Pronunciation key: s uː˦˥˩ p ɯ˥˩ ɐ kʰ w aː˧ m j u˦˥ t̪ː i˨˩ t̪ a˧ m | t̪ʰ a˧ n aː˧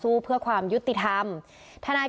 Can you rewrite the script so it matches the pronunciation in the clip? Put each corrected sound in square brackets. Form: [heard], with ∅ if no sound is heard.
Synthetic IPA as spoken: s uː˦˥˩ [pʰ] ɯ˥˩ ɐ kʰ w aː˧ m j u˦˥ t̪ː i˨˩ [t̪ʰ] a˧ m | t̪ʰ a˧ n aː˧